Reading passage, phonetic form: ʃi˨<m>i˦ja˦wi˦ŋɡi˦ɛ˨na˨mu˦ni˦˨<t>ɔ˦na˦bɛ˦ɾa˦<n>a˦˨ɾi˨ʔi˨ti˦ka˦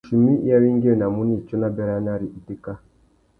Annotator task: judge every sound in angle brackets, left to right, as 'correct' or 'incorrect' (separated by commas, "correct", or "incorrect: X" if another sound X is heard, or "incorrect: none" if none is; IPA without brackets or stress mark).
correct, incorrect: t͡ʃ, correct